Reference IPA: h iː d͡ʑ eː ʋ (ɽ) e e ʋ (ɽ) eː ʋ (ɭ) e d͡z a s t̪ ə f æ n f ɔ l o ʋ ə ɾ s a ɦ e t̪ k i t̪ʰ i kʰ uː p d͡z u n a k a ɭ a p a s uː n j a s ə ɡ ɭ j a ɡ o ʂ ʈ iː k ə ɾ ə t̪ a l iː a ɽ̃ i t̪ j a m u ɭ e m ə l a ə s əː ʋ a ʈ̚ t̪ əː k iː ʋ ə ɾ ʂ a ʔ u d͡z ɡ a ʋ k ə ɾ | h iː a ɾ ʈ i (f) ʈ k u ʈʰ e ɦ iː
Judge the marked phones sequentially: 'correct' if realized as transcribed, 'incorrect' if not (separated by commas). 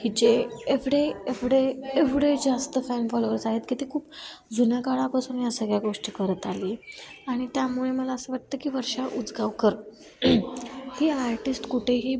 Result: correct, correct, incorrect, incorrect